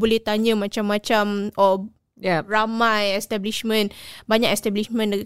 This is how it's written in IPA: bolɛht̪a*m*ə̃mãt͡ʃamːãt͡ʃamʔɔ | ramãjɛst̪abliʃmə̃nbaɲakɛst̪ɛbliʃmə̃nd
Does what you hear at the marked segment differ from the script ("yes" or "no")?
yes